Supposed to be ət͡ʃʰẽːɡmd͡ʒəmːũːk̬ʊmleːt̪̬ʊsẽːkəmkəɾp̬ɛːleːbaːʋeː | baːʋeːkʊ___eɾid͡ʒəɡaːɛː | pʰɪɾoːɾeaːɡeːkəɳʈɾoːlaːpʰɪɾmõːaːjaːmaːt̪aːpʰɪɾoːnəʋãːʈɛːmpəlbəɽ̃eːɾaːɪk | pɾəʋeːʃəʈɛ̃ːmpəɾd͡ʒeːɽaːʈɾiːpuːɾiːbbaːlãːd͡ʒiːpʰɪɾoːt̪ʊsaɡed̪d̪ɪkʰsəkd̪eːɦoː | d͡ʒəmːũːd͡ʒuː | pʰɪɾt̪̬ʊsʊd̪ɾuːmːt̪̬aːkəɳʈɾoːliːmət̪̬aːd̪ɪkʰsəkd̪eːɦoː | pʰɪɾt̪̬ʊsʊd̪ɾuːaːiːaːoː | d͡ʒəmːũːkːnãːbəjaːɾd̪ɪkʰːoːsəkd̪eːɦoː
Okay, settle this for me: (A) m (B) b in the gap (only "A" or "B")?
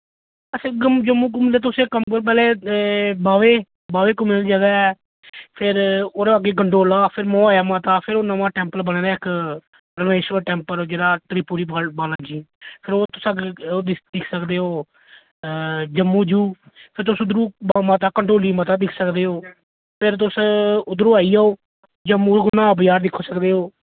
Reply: A